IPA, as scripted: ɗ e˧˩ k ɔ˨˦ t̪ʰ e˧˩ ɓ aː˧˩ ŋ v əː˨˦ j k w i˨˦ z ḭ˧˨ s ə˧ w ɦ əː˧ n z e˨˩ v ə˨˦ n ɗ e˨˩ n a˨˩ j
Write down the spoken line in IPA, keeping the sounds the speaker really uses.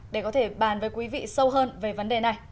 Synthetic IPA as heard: ɗ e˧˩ k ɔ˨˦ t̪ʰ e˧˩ ɓ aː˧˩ n v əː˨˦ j k w i˨˦ v ḭ˧˨ s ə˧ w ɦ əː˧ n v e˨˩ v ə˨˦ n ɗ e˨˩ n a˨˩ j